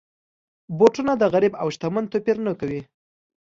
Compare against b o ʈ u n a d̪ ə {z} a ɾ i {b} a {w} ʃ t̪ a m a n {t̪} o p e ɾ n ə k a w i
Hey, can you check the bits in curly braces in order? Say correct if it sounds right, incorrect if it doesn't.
incorrect, correct, correct, correct

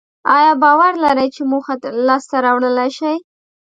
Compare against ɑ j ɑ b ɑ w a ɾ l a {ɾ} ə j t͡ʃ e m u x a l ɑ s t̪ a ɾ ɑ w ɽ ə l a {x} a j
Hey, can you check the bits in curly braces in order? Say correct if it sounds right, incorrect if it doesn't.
correct, incorrect

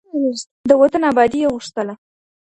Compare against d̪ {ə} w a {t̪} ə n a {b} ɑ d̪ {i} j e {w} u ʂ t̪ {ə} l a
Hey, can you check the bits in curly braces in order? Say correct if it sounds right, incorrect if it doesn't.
correct, correct, correct, correct, incorrect, correct

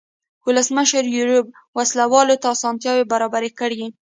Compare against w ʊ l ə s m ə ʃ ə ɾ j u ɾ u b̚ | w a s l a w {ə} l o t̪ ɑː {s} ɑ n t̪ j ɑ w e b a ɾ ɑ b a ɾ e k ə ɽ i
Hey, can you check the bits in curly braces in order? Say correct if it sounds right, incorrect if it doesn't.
incorrect, correct

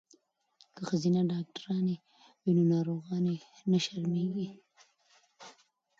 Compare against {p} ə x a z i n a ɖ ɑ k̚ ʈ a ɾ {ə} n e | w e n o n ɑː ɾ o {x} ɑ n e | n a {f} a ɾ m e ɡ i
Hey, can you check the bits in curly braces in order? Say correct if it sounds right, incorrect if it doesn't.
incorrect, incorrect, incorrect, incorrect

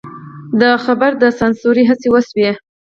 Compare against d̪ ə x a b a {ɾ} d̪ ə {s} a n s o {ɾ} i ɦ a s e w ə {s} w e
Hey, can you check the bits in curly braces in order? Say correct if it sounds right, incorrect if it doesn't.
correct, correct, correct, correct

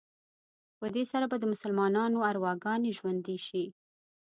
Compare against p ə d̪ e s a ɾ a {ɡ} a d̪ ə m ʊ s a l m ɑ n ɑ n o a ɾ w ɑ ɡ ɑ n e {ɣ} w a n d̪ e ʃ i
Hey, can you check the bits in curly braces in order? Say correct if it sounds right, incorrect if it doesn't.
incorrect, incorrect

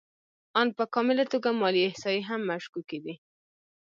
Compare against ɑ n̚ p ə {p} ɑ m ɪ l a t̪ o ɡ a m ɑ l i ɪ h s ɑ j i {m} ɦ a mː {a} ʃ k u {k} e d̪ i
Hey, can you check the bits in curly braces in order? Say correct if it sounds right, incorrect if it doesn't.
incorrect, incorrect, correct, correct

